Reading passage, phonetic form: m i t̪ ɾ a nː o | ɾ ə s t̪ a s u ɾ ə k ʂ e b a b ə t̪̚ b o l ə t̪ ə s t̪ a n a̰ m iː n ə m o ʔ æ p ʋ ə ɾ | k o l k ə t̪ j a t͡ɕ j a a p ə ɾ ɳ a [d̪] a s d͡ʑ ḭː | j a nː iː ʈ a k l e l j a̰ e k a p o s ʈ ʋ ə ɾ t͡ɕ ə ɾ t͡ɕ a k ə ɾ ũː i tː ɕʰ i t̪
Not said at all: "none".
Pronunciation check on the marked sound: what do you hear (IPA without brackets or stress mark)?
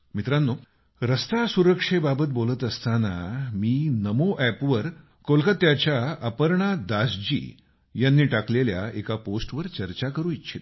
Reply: d̪